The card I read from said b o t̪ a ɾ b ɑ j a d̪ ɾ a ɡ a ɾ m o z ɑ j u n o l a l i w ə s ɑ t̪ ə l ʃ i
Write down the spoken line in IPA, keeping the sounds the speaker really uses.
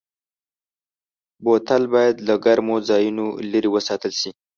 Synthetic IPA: b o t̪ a l b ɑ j a d̪ l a ɡ a ɾ m o z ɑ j u n o l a ɾ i w ə s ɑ t̪ ə l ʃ i

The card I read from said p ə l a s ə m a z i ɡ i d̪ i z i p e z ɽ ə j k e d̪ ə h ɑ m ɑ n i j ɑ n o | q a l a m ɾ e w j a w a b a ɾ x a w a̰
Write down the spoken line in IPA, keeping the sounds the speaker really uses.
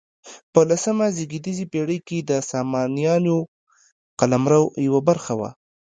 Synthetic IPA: p ə l a s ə m a z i ɡ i d̪ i z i p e ɽ ə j k e d̪ ə s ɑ m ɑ n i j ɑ n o | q a l a m ɾ a w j a w a b a ɾ x a w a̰

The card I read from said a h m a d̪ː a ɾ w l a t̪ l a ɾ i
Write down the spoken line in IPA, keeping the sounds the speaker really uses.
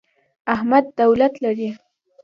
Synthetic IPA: a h m a d̪ː a w l a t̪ l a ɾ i

